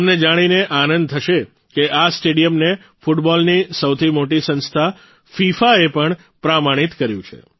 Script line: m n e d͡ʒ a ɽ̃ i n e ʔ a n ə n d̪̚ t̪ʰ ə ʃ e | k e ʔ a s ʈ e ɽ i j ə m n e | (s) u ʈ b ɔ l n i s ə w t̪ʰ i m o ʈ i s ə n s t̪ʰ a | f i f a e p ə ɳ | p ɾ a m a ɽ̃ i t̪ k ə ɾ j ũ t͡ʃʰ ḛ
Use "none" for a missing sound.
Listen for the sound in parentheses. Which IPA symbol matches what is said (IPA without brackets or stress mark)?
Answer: f